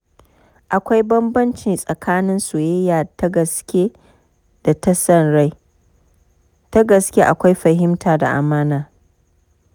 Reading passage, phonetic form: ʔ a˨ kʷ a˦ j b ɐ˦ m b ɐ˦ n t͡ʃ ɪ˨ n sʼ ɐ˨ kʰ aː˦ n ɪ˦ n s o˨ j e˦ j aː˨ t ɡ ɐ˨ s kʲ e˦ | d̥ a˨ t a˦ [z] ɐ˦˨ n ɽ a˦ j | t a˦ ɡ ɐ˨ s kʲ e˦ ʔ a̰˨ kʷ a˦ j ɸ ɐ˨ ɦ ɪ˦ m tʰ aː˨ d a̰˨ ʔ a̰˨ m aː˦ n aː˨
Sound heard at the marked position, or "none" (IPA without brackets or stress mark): s